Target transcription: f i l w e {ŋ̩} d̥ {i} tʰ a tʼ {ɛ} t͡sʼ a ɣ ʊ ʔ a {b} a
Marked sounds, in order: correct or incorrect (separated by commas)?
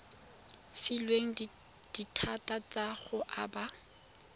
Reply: correct, correct, incorrect, correct